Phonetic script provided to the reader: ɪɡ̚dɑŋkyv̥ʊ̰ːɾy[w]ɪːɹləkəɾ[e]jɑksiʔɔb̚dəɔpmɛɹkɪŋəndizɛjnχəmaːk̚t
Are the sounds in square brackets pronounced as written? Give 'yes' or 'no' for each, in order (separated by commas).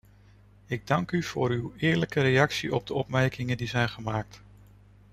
yes, yes